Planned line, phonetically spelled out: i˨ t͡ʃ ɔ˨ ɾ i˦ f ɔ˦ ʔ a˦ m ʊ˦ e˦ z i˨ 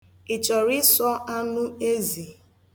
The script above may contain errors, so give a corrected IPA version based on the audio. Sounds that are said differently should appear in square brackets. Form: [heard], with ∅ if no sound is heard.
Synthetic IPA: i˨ t͡ʃ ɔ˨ ɾ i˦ [s] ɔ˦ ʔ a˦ [n] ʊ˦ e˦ z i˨